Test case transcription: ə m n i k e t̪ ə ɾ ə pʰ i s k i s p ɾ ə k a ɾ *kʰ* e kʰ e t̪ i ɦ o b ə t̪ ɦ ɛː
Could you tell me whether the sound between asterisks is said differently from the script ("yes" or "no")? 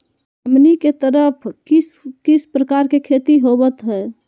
yes